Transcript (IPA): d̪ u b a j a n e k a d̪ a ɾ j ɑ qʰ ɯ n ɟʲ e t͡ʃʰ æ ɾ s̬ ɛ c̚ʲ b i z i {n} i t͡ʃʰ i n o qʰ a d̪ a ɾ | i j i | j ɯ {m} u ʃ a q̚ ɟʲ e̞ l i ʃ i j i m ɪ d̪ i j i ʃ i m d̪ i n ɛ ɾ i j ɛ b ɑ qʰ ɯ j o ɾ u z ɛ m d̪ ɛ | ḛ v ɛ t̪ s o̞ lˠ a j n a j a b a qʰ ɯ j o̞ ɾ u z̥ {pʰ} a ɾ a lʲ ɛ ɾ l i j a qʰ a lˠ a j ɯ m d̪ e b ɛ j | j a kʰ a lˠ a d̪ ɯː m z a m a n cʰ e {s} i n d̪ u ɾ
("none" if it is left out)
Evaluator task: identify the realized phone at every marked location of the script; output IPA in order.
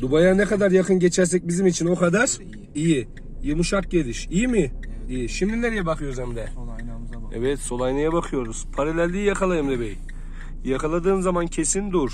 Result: m, m, pʰ, s

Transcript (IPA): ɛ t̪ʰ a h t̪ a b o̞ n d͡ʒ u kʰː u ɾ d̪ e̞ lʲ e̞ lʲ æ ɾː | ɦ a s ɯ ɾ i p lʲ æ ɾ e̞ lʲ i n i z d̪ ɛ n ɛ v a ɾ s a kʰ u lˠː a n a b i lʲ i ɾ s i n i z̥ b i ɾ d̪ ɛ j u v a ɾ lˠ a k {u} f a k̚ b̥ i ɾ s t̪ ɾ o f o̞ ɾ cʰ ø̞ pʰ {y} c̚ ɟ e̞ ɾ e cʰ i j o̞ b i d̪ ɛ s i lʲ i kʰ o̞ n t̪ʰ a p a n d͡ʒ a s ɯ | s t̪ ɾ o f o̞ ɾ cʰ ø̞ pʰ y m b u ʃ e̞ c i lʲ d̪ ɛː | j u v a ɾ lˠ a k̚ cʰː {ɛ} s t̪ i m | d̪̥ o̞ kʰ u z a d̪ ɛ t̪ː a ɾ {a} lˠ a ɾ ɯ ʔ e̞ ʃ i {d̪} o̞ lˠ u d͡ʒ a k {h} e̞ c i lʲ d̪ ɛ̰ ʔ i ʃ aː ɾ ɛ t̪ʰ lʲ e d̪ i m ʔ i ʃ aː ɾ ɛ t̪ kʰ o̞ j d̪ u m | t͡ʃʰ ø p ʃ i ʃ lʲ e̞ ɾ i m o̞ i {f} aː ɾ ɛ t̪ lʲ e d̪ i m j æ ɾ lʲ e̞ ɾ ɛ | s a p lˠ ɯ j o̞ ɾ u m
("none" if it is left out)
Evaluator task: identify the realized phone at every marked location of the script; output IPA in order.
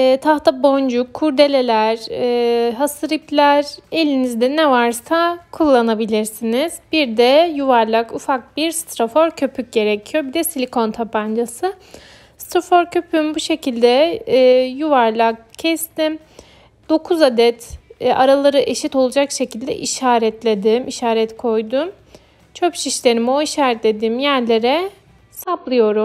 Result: u, y, ɛ, a, t̪, ʃ, ʃ

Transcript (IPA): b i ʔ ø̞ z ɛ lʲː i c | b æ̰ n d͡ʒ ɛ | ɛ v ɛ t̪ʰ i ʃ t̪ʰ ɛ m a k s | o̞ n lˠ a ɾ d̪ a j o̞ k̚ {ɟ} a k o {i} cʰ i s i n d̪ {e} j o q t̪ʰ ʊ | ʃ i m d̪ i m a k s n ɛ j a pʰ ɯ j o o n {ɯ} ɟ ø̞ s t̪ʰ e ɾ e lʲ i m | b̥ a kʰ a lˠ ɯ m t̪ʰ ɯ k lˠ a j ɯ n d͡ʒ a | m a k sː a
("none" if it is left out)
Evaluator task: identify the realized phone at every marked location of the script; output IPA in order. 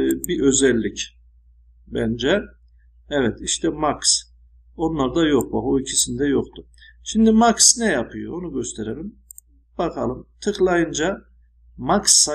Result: b, i, ɛ, u

